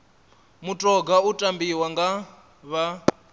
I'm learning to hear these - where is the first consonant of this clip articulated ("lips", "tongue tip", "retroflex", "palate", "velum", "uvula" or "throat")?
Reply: lips